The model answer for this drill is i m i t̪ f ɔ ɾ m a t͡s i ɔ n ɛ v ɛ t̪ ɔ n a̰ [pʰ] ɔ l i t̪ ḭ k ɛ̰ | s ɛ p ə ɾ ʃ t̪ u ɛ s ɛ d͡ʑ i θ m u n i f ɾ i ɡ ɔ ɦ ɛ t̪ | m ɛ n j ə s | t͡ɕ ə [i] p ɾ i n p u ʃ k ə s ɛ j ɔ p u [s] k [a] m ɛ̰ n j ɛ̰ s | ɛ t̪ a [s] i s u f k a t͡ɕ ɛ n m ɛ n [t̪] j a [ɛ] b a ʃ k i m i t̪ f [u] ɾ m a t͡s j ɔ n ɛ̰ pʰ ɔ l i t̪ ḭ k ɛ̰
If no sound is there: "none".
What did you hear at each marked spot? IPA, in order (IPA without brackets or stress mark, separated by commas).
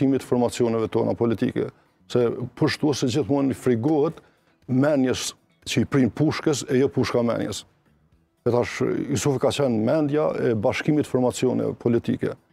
p, i, ʃ, a, ʃ, d̪, ɛ, ɔ